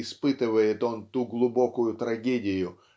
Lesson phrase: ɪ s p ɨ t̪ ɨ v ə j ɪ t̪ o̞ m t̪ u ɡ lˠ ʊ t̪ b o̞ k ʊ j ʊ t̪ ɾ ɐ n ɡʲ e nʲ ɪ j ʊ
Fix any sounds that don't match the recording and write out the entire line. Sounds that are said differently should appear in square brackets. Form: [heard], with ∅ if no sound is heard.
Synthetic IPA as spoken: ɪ s p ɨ t̪ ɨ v ə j ɪ t̪ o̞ [n] t̪ u ɡ lˠ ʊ [∅] b o̞ k ʊ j ʊ t̪ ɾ ɐ [∅] ɡʲ e [dʲ] ɪ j ʊ